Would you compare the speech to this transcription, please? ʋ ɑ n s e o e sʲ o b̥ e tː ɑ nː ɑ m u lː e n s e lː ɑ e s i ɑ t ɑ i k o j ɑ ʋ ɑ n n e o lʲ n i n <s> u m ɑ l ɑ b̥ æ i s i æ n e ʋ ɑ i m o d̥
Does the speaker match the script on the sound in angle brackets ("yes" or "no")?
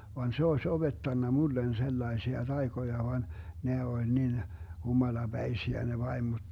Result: no